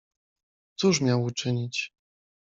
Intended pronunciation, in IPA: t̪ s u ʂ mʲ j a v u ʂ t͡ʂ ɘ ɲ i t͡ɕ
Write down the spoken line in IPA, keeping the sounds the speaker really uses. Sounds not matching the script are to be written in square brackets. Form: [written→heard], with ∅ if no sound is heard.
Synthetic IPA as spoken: t̪ s u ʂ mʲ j a [v→w] u [ʂ→∅] t͡ʂ ɘ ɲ i t͡ɕ